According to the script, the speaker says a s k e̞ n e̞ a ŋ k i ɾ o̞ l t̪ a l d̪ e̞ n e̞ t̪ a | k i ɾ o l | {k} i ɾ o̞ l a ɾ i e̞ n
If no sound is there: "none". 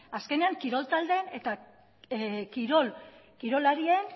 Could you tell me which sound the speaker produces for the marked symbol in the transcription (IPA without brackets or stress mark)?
k